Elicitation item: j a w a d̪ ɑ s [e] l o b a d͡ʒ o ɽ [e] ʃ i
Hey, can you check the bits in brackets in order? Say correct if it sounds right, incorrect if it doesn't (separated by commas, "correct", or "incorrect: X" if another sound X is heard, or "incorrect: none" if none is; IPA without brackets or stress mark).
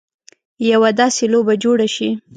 correct, incorrect: a